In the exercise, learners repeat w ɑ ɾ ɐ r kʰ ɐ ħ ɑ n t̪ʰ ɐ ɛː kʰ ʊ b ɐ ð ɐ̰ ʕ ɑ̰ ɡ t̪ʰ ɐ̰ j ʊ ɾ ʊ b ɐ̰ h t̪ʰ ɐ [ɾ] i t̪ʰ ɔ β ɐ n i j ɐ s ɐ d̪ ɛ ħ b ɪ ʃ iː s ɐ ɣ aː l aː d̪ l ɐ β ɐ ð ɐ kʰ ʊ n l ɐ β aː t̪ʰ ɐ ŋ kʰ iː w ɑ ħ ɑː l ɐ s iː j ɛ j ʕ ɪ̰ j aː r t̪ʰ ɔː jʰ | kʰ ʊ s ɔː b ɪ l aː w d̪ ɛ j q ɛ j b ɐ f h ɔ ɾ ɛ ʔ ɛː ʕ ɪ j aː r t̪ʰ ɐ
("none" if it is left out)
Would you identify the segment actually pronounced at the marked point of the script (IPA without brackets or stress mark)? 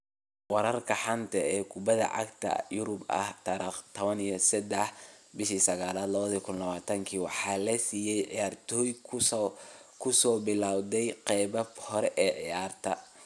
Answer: ɾ